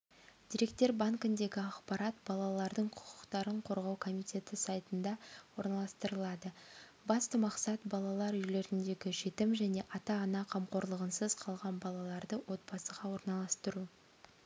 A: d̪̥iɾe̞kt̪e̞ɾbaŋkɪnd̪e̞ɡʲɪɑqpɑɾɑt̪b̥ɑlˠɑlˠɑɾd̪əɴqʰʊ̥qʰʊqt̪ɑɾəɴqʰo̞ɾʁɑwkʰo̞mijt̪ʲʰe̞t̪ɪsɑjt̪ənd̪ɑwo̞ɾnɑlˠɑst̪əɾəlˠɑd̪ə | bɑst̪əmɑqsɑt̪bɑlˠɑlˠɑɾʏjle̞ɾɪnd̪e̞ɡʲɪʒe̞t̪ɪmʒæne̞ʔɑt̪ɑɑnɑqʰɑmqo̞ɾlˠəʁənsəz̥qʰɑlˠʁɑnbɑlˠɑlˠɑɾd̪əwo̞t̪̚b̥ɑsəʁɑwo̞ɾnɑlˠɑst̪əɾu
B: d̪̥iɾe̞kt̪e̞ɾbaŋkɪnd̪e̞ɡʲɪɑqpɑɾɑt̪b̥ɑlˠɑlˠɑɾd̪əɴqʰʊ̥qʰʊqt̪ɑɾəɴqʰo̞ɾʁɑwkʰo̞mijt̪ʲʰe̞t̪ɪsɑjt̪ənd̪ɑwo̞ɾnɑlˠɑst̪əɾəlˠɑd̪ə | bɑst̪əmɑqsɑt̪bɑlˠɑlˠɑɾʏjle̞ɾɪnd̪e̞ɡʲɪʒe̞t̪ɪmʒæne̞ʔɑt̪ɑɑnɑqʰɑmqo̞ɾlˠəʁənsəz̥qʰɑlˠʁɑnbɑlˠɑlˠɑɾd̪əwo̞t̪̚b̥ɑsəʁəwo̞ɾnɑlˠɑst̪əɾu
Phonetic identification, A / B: A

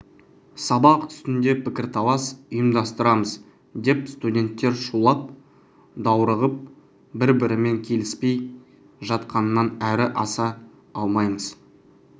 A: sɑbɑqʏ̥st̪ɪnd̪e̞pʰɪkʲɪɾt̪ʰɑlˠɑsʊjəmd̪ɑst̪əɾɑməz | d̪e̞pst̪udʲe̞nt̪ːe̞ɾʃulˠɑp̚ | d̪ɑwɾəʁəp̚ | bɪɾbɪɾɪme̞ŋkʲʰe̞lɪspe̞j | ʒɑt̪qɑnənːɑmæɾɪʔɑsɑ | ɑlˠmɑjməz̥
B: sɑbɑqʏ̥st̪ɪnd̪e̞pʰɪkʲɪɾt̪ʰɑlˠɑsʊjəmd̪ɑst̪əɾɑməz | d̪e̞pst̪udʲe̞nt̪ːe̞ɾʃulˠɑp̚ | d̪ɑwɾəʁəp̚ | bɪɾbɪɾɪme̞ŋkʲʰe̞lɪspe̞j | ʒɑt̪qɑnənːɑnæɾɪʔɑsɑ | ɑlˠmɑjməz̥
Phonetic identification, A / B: B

